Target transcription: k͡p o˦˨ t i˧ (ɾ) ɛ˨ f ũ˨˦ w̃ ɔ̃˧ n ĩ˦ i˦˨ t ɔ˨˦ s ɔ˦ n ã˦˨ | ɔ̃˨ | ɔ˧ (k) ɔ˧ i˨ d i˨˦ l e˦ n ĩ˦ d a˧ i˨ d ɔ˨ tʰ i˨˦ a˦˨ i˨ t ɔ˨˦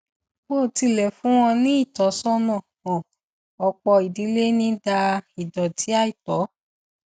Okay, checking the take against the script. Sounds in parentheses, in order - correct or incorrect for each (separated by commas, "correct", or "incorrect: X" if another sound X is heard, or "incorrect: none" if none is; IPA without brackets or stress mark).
incorrect: l, incorrect: k͡p